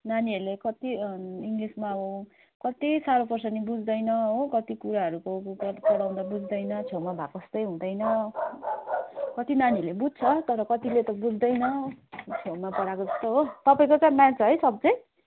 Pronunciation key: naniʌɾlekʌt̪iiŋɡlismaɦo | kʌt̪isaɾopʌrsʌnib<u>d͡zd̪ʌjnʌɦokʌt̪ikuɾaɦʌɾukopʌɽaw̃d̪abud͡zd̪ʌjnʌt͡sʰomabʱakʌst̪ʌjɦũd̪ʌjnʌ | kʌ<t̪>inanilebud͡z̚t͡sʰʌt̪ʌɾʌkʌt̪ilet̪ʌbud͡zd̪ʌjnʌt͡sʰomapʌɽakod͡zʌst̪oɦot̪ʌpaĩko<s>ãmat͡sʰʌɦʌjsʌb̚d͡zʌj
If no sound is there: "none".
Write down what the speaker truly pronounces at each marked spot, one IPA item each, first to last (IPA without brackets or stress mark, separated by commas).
u, t̪, t͡s